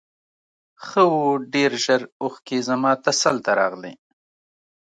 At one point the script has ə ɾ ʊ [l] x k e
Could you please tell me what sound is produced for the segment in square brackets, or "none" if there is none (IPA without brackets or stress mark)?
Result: none